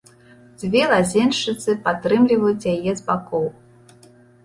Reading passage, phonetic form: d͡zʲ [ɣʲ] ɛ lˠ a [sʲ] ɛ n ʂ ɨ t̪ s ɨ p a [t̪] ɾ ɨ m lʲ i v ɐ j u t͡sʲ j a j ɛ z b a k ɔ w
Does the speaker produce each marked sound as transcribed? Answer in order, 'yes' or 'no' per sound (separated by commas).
no, no, yes